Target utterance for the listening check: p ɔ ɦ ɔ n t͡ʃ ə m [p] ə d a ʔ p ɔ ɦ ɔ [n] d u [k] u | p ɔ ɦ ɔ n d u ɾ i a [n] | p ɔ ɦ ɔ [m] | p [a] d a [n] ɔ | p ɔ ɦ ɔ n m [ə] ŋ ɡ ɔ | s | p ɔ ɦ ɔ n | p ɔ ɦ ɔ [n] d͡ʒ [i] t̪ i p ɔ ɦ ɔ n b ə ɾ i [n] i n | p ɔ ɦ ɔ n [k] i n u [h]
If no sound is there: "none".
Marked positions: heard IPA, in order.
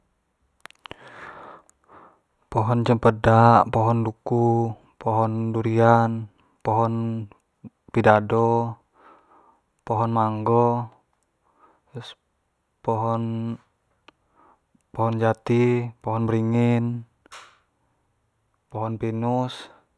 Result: p, n, k, n, n, i, d, a, n, a, ŋ, p, s

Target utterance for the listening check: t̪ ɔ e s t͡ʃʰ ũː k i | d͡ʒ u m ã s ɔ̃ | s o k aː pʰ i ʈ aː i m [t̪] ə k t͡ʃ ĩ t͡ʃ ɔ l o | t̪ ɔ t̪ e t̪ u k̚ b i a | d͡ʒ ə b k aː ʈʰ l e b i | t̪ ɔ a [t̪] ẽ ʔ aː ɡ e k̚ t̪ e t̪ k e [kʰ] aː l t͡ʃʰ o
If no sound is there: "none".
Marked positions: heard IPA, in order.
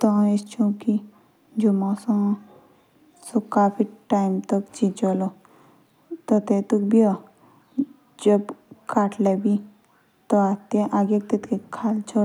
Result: t̪, t̪, kʰ

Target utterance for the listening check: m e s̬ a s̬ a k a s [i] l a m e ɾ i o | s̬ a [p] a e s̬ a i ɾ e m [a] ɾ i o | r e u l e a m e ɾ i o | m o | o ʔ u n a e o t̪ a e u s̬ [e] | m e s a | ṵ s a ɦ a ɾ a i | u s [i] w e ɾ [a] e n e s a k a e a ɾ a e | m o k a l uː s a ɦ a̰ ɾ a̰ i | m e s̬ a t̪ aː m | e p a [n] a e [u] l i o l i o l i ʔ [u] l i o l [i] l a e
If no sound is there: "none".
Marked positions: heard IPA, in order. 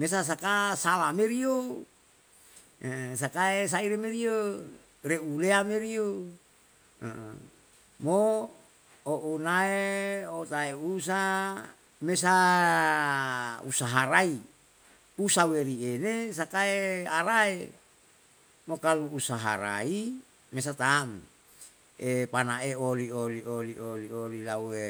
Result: a, k, e, a, a, i, n, o, o, i

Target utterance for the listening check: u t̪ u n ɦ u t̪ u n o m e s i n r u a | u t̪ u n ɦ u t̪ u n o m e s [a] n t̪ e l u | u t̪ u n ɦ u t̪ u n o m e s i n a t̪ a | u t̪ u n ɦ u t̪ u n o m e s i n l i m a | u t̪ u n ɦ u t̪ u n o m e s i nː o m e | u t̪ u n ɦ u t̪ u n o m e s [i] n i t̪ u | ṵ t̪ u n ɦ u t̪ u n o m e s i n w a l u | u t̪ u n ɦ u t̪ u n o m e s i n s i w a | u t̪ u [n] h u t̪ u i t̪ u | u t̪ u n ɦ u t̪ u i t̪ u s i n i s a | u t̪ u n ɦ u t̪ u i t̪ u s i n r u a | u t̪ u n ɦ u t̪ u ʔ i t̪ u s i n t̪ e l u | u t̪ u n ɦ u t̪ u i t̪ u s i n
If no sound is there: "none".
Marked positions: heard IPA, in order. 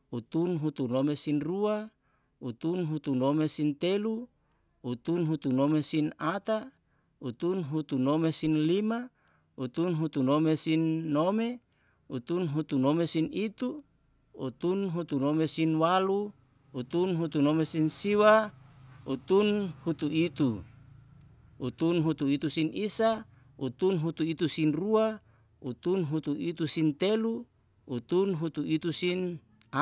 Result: i, i, n

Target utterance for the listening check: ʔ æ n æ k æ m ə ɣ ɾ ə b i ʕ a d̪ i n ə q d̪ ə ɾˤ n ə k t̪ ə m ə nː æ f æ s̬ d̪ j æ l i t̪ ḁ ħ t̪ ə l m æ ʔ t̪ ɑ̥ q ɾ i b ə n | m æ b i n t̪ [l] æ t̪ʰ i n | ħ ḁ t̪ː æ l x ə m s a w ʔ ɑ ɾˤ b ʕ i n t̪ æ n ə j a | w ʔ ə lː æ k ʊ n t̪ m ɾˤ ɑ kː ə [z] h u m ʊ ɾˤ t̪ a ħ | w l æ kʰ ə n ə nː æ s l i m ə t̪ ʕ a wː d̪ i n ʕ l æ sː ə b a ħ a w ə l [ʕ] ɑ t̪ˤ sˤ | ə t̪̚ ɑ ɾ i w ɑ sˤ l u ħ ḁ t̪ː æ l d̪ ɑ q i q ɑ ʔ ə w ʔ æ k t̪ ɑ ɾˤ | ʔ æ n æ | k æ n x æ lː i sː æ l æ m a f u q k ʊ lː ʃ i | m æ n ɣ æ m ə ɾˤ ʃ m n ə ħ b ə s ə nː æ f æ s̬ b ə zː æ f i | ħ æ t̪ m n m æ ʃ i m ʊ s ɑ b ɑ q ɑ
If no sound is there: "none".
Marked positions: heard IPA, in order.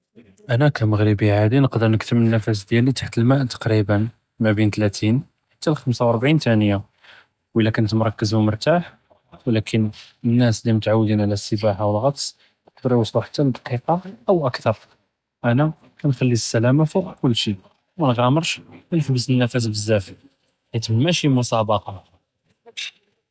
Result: l, z, ɣ

